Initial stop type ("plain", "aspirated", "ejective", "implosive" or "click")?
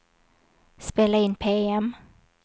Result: plain